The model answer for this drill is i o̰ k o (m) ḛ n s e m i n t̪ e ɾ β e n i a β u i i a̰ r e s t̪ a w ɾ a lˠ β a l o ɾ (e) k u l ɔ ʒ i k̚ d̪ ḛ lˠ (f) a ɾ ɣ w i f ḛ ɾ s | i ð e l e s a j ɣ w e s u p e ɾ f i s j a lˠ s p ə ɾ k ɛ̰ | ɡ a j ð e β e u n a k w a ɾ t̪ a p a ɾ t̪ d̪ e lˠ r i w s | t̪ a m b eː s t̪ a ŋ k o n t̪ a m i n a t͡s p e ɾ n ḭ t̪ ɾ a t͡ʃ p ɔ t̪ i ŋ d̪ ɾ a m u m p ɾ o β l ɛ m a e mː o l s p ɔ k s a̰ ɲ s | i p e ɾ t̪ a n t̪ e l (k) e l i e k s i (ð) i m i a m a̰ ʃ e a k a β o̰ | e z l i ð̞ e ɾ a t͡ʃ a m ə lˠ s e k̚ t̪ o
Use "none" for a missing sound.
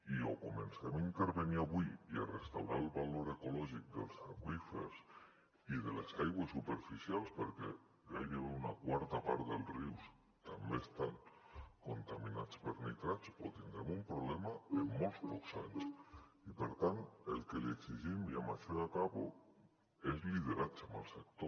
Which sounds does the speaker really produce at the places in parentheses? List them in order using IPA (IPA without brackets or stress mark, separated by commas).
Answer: m, e, s, k, ʒ